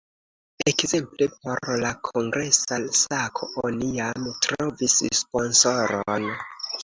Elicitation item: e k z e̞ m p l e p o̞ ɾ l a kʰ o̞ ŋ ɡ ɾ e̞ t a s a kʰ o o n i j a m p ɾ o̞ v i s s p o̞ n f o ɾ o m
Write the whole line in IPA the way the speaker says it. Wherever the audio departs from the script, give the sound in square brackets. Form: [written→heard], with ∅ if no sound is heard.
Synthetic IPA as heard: e k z e̞ m p l e p o̞ ɾ l a kʰ o̞ ŋ ɡ ɾ e̞ [t→s] a s a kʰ o o n i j a m [p→t] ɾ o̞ v i s s p o̞ n [f→s] o ɾ o [m→n]